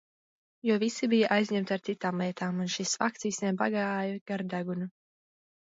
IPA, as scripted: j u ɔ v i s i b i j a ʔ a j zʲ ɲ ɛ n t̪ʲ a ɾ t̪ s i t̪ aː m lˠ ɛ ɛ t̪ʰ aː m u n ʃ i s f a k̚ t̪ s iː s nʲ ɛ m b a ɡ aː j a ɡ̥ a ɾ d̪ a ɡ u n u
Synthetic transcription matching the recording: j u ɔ v i s i b i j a ʔ a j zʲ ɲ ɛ m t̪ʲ a ɾ t̪ s i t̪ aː m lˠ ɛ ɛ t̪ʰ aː m u n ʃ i s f a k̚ t̪ s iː s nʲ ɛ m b a ɡ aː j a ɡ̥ a ɾ d̪ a ɡ u n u

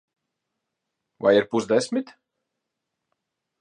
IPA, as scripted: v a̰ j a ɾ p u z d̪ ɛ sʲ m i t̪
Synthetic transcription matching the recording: v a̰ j i ɾ p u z d̪ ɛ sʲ m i t̪

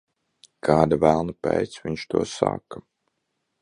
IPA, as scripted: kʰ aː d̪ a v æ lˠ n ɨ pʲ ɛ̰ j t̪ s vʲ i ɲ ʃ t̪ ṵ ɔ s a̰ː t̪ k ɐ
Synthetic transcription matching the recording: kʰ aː d̪ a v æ lˠ n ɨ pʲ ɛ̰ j t̪ s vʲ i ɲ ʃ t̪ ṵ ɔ s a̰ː k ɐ

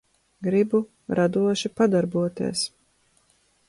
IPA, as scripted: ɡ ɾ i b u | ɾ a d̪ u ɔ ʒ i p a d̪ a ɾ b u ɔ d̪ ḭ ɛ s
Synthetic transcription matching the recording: ɡ ɾ i b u | ɾ a d̪ u ɔ ʃ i p a d̪ a ɾ b u ɔ t̪ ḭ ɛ s

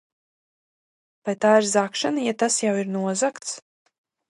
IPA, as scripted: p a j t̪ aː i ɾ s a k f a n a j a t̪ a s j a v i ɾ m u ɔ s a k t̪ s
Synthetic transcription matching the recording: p a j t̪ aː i ɾ z a k ʃ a n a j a t̪ a s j a w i ɾ n u ɔ z a k t̪ s

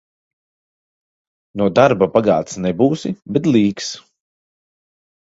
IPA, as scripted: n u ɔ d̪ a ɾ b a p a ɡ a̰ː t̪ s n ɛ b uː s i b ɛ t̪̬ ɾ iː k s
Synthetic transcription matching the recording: n u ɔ d̪ a ɾ b a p a ɡ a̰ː t̪ s n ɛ b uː s i b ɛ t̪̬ l iː k s

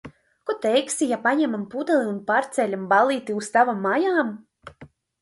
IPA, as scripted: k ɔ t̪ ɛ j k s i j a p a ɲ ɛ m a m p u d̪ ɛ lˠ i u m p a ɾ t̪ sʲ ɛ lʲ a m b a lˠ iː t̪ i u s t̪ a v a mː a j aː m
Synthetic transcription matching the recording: k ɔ t̪ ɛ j k s i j a p a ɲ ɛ m a m p u d̪ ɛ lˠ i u n p a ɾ t̪ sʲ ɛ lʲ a m b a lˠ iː t̪ i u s t̪ a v a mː a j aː m

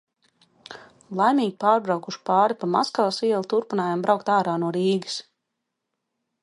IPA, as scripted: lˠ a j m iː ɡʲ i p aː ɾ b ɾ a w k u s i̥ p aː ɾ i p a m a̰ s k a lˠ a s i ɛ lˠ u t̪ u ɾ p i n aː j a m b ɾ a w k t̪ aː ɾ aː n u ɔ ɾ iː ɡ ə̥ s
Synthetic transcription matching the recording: lˠ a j m iː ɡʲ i p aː ɾ b ɾ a w k u ʃ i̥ p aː ɾ i p a m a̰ s k a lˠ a s i ɛ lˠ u t̪ u ɾ p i n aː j a m b ɾ a w k t̪ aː ɾ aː n u ɔ ɾ iː ɡ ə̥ s

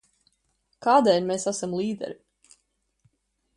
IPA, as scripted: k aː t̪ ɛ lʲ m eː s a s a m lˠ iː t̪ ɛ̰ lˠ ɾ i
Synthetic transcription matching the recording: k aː d̪ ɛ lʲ m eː s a s a m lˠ iː d̪ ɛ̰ ɾ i

